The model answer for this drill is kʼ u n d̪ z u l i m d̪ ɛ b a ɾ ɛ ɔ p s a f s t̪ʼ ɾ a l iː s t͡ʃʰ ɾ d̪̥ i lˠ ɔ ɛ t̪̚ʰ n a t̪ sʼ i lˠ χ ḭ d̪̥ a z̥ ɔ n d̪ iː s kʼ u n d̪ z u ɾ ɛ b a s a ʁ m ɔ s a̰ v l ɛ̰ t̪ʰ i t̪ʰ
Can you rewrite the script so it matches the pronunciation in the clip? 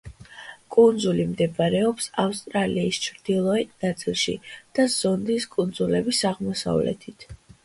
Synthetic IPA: kʼ u n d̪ z u l i m d̪ ɛ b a ɾ ɛ ɔ p s a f s t̪ʼ ɾ a l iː s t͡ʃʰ ɾ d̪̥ i lˠ ɔ ɛ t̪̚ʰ n a t̪ sʼ i lˠ ʃ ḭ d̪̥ a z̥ ɔ n d̪ i s kʼ u n d̪ z u l ɛ b i s a ʁ m ɔ s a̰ v l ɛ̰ t̪ʰ i t̪ʰ